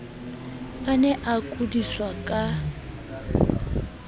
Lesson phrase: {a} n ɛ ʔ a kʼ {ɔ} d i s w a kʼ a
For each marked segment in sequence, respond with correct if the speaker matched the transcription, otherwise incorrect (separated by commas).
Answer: correct, incorrect